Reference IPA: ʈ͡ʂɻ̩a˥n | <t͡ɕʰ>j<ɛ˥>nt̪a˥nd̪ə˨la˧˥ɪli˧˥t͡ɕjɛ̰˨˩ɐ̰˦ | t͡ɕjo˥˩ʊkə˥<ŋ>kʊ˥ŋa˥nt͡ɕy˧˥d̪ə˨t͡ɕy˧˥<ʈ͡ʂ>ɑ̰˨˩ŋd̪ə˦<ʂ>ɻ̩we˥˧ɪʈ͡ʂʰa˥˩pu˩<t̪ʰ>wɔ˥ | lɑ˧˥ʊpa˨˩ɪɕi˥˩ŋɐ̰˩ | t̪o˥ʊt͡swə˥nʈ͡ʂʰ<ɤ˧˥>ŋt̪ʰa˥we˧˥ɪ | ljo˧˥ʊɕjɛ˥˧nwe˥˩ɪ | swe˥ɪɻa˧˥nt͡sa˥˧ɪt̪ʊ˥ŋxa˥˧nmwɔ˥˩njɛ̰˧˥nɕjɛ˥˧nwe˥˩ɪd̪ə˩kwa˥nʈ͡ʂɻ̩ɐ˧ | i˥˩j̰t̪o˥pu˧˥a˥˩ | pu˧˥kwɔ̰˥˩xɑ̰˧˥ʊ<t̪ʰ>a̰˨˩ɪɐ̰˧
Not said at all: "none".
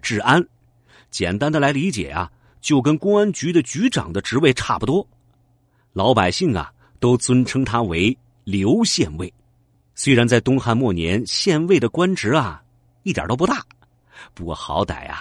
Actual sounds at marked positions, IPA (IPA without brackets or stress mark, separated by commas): t͡ɕ, ɛ˨˩, n, ʈ͡ʂ, ʈ͡ʂ, t̪, ɤ˥, t̪